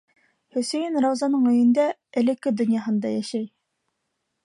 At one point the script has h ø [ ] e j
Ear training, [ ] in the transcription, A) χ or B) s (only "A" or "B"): B